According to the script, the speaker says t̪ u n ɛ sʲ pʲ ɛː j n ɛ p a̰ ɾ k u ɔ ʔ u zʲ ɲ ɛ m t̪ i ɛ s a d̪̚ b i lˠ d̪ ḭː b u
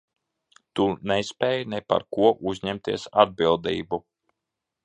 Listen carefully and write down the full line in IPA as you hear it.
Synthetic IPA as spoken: t̪ u n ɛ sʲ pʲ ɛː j n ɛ p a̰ ɾ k u ɔ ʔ u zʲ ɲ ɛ m t̪ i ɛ s a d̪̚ b i lˠ d̪ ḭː b u